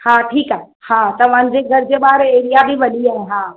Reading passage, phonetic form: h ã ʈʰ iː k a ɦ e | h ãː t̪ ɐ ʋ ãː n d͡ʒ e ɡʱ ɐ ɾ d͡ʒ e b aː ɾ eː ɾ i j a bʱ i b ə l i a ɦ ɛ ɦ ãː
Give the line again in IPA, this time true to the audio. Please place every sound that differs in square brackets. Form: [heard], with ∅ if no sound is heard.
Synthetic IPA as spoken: h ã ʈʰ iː k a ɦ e | h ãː t̪ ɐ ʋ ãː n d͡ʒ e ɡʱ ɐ ɾ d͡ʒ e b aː ɾ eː ɾ i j a bʱ i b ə l i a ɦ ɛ ɦ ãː